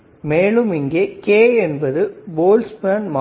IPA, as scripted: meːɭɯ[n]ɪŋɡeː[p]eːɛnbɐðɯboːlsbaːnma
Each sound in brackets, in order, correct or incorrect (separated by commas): incorrect, incorrect